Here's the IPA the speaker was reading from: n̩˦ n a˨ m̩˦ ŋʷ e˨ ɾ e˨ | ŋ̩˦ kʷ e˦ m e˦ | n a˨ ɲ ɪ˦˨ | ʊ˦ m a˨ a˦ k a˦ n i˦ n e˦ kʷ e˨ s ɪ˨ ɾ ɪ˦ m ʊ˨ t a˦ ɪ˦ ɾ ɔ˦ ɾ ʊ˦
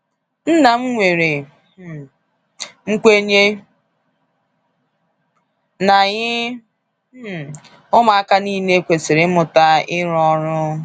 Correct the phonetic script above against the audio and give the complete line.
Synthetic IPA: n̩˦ n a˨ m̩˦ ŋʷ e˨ ɾ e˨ | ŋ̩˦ kʷ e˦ ɲ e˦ | n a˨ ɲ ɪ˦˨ | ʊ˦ m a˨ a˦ k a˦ n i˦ n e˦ kʷ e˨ s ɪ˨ ɾ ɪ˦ m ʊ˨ t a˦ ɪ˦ ɾ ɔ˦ ɾ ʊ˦

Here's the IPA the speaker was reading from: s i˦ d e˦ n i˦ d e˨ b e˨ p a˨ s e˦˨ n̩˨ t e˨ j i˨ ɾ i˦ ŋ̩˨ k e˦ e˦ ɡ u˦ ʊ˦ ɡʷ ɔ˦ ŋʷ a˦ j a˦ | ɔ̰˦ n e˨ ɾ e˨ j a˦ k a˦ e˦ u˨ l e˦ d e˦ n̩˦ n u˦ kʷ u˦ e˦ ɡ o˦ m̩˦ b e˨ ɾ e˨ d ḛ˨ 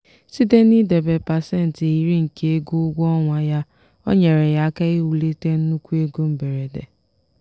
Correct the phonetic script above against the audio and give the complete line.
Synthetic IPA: s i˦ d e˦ n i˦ d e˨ b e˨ p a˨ s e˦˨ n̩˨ t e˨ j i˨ ɾ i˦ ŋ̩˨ k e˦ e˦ ɡ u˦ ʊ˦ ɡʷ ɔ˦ ŋʷ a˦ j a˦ | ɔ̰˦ ɲ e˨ ɾ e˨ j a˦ k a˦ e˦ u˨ l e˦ t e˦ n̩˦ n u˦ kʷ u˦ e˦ ɡ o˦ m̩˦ b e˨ ɾ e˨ d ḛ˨

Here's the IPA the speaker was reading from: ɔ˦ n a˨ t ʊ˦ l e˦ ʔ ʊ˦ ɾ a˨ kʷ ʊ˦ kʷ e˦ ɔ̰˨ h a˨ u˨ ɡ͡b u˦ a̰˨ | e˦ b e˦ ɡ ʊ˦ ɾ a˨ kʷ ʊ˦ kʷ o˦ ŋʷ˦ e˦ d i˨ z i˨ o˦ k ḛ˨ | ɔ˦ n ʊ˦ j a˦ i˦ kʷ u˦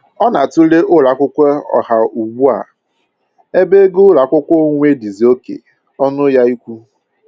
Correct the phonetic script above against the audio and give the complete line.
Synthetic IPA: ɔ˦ n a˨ t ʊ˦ l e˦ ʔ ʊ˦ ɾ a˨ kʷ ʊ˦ kʷ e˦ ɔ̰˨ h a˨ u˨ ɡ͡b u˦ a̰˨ | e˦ b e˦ ɡ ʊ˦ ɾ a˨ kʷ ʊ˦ kʷ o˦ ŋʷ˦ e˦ d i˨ z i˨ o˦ k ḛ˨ | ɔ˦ n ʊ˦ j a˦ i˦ kʷ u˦

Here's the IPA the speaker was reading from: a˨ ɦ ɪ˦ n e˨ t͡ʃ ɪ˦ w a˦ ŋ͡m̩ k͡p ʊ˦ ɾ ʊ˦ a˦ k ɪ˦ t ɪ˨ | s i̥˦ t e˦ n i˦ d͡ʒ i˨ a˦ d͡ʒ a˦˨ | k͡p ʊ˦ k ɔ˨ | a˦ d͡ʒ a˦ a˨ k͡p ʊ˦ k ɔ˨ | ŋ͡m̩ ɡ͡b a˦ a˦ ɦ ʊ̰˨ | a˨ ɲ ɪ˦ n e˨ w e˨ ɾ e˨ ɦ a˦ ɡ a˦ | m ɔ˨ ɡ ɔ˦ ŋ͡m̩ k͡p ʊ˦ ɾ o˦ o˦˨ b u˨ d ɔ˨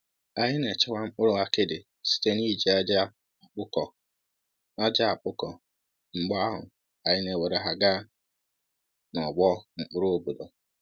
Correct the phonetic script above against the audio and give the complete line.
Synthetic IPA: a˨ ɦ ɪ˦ n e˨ t͡ʃ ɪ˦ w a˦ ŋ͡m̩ k͡p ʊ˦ ɾ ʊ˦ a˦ k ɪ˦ d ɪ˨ | s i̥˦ t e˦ n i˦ d͡ʒ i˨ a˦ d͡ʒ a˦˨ | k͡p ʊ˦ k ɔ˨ | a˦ d͡ʒ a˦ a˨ k͡p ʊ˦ k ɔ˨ | ŋ͡m̩ ɡ͡b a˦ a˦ ɦ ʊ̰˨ | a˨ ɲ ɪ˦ n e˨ w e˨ ɾ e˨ ɦ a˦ ɡ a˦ | n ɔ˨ ɡ͡b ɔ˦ ŋ͡m̩ k͡p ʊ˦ ɾ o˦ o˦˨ b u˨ d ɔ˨

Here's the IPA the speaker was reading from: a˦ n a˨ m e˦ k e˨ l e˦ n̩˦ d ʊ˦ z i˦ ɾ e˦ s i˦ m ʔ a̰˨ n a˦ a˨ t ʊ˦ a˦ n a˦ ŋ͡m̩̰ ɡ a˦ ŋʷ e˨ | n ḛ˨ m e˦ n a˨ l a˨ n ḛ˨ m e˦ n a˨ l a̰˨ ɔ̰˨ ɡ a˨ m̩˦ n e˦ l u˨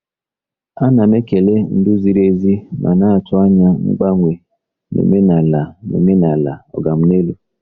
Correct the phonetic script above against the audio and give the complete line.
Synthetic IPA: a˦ n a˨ m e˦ k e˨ l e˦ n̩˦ d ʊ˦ z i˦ ɾ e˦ z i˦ m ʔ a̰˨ n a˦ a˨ t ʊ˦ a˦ ɲ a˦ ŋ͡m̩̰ ɡ͡b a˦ ŋʷ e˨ | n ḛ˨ m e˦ n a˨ l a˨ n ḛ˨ m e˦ n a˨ l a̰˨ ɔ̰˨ ɡ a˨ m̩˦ n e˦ l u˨

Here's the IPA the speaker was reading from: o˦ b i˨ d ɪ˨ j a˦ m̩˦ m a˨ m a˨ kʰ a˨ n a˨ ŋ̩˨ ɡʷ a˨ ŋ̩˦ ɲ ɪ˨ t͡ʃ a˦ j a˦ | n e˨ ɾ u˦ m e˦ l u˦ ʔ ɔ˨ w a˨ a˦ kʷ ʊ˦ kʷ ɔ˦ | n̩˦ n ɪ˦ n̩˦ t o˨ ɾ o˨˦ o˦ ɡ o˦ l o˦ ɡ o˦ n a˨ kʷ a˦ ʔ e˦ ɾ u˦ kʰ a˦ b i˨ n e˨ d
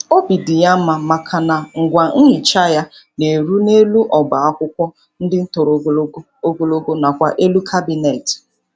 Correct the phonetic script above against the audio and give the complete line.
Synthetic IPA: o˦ b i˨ d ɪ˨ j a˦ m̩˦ m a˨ m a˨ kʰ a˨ n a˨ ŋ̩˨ ɡʷ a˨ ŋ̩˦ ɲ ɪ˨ t͡ʃ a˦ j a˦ | n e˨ ɾ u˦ n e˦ l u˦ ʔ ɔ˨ b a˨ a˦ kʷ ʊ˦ kʷ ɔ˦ | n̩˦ d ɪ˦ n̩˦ t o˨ ɾ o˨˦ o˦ ɡ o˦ l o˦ ɡ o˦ n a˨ kʷ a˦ ʔ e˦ l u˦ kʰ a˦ b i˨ n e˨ t

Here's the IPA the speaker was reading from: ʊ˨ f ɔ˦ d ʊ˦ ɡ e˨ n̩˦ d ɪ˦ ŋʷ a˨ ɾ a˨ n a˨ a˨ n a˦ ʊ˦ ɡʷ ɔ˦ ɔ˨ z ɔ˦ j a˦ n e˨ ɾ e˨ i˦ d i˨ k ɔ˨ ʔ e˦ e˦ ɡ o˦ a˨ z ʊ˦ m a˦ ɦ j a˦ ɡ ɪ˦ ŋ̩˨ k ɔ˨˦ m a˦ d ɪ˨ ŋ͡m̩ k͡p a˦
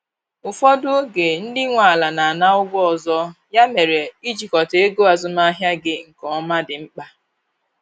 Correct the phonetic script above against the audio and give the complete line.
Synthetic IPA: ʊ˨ f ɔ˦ d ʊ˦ ɡ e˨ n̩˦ d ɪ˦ ŋʷ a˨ l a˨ n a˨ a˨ n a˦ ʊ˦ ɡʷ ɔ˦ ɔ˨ z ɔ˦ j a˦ m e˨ ɾ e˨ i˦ d͡ʒ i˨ k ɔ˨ t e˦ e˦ ɡ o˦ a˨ z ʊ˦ m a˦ ɦ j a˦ ɡ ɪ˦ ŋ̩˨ k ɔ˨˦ m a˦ d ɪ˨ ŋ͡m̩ k͡p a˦

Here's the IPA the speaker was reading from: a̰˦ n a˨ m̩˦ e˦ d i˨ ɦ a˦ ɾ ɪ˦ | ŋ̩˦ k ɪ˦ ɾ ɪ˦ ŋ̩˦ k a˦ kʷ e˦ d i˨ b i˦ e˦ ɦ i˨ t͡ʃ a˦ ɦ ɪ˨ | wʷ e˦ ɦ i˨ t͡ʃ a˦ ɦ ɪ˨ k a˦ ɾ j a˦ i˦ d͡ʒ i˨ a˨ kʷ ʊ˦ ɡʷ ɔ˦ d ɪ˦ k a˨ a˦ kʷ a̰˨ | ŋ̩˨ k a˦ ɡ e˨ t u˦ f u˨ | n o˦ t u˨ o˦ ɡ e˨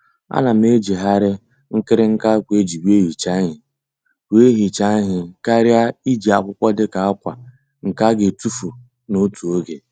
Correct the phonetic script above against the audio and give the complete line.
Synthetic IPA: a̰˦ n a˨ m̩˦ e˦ d͡ʒ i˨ ɦ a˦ ɾ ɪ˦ | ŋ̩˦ k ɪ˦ ɾ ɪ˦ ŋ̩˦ k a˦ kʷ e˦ d͡ʒ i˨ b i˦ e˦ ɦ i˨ t͡ʃ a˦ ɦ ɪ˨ | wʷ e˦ ɦ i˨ t͡ʃ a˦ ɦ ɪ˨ k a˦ ɾ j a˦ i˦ d͡ʒ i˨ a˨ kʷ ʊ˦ kʷ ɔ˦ d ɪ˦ k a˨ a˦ kʷ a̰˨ | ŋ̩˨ k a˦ ɡ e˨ t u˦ f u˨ | n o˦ t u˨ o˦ ɡ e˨

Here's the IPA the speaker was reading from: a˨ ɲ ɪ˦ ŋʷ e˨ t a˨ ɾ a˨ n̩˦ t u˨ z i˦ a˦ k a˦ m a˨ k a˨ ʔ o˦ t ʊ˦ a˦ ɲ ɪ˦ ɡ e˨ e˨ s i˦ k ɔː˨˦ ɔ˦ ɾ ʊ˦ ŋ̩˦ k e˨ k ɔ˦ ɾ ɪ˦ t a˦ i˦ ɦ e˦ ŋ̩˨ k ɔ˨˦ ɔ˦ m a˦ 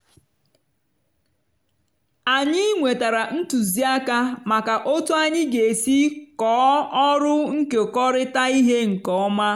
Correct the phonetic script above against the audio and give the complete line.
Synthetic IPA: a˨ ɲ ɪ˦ ŋʷ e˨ t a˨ ɾ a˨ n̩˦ t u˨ z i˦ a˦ k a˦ m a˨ k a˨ ʔ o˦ t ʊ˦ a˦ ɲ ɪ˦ ɡ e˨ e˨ s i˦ k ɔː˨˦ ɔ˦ ɾ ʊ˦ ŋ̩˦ k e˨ k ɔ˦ ɾ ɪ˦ t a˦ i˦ ɦ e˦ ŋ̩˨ k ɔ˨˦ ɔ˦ m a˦

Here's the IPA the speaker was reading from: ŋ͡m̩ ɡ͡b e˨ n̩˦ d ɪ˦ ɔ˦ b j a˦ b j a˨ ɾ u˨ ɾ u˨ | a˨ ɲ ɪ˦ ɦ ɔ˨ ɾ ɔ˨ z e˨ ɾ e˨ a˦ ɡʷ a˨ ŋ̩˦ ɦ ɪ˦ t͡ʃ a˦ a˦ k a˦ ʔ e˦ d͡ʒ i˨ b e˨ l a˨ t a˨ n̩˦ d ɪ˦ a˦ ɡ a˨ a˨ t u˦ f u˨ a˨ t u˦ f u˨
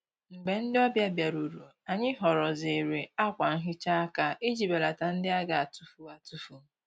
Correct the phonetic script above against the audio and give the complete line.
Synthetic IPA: ŋ͡m̩ ɡ͡b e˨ n̩˦ d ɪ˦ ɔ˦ b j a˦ b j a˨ ɾ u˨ ɾ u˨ | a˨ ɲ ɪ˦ ɦ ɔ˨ ɾ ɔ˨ z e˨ ɾ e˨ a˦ kʷ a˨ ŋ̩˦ ɦ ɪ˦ t͡ʃ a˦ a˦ k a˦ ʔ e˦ d͡ʒ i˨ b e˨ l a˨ t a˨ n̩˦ d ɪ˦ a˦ ɡ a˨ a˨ t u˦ f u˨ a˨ t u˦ f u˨

